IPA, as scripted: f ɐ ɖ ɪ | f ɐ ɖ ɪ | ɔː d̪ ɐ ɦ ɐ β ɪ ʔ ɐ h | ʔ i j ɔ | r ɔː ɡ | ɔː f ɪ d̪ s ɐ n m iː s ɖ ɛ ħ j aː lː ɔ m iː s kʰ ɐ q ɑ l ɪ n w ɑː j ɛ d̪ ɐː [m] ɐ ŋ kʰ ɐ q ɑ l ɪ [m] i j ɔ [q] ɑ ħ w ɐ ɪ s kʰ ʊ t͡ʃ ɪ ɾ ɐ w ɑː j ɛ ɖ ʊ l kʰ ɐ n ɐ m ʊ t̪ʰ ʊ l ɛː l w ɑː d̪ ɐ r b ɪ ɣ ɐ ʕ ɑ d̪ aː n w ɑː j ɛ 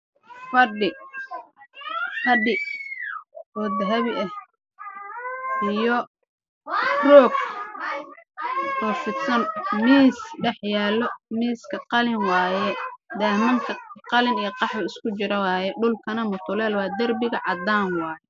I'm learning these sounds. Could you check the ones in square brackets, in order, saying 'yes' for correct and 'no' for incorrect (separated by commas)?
yes, no, yes